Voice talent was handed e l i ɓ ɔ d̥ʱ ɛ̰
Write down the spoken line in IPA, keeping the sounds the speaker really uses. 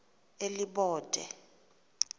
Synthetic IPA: e l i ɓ ɔː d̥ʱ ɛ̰